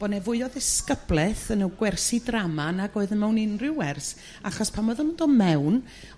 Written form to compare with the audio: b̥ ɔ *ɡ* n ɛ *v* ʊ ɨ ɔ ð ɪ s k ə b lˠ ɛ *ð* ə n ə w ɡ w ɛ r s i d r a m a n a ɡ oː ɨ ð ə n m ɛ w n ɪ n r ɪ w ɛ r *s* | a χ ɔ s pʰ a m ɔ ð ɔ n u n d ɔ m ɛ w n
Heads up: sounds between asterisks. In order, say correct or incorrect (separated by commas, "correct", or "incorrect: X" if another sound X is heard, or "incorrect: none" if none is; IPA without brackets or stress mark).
incorrect: none, correct, incorrect: θ, correct